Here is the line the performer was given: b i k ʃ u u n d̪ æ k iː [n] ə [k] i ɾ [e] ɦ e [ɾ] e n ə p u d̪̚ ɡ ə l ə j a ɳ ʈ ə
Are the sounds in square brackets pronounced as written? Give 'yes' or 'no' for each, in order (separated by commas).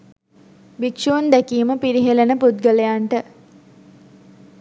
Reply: no, no, no, no